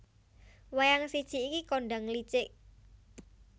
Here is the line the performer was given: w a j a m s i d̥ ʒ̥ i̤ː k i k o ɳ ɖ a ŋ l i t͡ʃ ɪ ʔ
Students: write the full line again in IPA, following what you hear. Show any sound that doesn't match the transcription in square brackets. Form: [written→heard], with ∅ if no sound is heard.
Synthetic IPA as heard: w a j a [m→ŋ] s i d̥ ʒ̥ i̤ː k i k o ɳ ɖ a ŋ l i t͡ʃ ɪ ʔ